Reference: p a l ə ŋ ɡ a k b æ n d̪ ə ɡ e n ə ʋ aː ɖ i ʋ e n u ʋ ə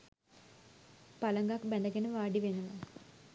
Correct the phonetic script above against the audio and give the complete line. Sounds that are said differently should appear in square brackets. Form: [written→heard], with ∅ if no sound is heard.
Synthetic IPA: p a l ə ŋ ɡ a k b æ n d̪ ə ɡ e n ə ʋ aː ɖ i ʋ e n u ʋ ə